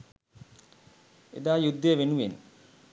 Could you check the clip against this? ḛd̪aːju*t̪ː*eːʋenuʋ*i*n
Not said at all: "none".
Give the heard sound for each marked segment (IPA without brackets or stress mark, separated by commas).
d̪ː, e